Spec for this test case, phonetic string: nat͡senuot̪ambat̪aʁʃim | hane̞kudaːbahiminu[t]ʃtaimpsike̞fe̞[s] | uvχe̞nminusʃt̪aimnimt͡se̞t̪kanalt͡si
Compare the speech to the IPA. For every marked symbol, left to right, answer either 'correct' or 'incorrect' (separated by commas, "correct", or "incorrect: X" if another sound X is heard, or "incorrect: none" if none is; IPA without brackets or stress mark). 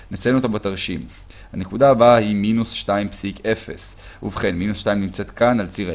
incorrect: s, correct